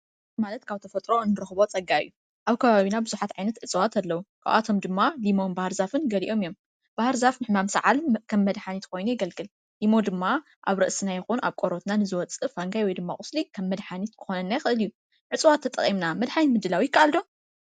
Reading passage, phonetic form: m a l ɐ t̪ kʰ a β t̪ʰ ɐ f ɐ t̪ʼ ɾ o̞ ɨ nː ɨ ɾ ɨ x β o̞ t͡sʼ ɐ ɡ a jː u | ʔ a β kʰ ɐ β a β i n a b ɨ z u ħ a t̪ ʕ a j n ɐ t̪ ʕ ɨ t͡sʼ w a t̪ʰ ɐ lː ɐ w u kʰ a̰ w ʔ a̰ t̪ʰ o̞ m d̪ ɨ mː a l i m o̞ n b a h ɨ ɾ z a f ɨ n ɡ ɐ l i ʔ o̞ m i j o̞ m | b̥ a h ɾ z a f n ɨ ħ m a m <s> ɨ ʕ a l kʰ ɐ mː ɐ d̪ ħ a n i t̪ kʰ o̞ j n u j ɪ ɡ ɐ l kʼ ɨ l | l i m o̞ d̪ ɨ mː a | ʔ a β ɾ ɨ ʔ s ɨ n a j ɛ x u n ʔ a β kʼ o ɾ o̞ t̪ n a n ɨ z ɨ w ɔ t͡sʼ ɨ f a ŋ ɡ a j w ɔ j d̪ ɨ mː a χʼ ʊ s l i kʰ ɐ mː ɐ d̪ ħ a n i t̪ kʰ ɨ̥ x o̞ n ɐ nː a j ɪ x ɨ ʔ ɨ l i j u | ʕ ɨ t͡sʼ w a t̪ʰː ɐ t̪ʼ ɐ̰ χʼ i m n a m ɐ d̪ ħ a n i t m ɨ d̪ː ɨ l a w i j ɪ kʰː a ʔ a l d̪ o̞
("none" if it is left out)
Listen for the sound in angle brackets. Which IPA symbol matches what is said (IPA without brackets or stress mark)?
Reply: s